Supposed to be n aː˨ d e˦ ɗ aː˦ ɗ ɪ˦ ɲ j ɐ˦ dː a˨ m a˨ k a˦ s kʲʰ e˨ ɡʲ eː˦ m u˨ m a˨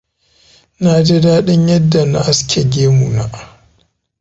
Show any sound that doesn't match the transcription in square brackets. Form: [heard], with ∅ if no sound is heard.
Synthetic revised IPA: n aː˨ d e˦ [d] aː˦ ɗ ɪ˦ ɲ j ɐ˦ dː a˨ [n] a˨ [ʔ] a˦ s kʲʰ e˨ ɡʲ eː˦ m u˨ [n] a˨